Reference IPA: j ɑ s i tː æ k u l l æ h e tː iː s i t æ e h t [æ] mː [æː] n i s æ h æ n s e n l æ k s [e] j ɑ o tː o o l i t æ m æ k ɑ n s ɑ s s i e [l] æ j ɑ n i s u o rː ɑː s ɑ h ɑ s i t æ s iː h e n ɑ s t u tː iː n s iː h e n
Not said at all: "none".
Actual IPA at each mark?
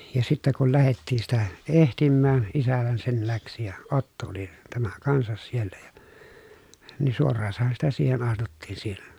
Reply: i, æː, i, lː

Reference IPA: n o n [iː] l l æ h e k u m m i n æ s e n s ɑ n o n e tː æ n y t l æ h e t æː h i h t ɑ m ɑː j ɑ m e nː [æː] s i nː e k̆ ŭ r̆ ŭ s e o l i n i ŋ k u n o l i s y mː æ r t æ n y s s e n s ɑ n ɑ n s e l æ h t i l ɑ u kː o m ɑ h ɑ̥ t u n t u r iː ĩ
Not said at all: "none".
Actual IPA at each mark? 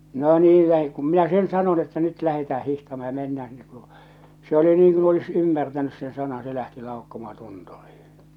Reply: iː, æː

